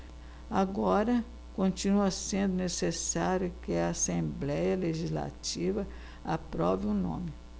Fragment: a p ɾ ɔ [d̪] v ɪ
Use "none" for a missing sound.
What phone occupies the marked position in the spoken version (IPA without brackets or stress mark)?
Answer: none